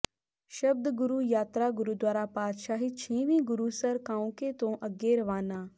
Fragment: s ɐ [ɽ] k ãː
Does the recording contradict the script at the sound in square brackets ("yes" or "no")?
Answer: yes